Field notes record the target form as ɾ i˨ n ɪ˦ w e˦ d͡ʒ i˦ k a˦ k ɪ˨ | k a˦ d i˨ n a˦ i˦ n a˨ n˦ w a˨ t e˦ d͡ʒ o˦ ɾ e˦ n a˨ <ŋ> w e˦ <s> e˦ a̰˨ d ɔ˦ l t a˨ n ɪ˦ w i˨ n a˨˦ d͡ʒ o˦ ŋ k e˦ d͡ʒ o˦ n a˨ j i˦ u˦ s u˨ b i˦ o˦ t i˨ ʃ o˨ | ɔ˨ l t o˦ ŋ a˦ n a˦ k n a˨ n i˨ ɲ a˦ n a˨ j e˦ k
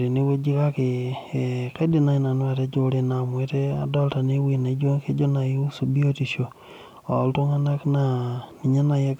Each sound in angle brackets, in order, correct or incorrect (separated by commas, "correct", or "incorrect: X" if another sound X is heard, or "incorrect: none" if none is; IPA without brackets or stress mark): incorrect: m, incorrect: t